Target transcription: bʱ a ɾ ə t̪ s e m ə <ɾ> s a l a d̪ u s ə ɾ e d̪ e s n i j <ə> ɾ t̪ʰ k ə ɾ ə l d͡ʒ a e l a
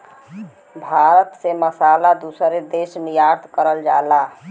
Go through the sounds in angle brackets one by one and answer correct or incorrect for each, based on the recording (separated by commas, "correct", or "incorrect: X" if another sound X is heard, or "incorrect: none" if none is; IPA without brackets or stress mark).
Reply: incorrect: none, incorrect: a